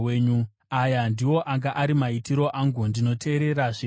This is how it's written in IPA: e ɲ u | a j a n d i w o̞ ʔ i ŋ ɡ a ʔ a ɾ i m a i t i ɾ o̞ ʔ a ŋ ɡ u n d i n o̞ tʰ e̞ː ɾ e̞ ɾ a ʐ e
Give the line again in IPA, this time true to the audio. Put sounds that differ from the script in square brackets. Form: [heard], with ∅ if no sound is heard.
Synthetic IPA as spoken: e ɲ u | a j a n d i w o̞ ʔ [a] ŋ ɡ a ʔ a ɾ i m a i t i ɾ o̞ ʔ a ŋ ɡ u n d i n o̞ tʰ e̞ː ɾ e̞ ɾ a ʐ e